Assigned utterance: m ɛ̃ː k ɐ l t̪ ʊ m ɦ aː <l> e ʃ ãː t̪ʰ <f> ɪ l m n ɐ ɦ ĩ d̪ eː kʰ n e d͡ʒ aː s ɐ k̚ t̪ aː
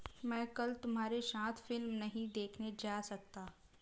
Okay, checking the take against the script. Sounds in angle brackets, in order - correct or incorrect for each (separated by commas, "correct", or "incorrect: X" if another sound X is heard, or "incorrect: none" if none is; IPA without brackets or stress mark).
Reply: incorrect: ɾ, correct